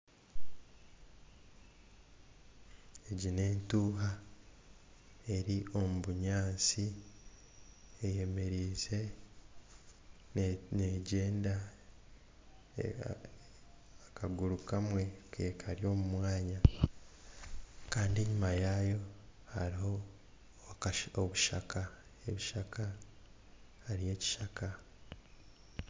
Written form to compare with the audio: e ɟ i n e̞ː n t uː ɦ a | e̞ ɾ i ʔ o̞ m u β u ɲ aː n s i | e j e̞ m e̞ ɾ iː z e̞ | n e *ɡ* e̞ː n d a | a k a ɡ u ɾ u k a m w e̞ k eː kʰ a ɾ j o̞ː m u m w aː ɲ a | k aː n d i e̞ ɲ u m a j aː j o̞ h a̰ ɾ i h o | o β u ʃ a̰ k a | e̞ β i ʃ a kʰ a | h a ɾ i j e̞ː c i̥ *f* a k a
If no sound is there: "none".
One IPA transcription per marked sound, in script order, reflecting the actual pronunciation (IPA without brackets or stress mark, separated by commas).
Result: ɟ, ʃ